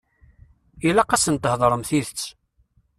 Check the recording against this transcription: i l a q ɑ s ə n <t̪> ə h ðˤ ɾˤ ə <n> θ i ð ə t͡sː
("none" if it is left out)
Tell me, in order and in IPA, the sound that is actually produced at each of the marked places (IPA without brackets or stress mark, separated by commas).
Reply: t̪, m